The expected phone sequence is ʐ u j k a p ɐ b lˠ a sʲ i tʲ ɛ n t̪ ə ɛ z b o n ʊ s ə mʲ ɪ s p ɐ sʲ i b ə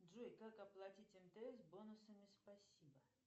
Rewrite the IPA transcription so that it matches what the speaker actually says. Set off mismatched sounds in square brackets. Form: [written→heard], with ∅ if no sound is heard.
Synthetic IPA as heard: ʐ u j k a [p→k] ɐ [b→p] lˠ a [sʲ→tʲ] i tʲ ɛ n t̪ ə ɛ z b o n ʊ s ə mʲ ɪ s p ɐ sʲ i b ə